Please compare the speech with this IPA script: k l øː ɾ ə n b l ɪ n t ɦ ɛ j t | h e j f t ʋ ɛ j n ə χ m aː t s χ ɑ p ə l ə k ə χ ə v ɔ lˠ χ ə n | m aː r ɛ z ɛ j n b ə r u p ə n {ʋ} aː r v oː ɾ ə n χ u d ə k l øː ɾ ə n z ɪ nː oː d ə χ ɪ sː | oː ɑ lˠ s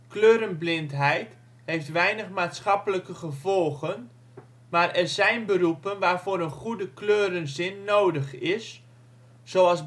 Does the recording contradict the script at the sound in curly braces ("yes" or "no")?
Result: no